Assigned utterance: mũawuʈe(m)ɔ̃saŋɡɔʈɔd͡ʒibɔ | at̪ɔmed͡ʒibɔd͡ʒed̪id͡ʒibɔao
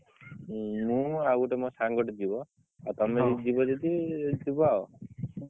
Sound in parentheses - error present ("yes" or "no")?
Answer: no